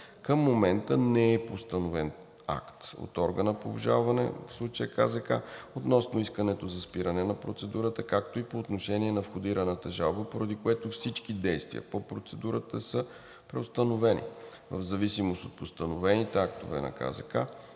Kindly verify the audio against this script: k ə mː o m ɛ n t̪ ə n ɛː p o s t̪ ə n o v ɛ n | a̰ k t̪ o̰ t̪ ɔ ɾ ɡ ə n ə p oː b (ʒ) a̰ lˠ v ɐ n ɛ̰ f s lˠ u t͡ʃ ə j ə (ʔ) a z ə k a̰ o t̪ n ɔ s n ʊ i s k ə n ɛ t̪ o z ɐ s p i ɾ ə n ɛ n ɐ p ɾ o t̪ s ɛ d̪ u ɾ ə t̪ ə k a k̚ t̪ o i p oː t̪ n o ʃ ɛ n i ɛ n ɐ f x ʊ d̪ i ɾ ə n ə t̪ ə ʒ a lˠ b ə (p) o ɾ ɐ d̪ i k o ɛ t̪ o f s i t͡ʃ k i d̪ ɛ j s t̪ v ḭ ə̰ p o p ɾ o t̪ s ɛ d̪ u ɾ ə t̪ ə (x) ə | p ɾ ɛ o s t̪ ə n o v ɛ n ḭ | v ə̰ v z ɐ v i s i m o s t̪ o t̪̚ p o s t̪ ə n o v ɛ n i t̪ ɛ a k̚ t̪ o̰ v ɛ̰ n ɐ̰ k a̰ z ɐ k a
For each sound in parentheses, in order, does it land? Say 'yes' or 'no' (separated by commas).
yes, no, yes, no